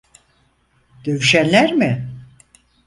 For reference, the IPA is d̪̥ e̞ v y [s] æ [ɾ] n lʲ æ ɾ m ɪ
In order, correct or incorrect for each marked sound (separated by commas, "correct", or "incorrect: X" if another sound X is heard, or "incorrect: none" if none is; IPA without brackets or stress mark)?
incorrect: ʃ, incorrect: none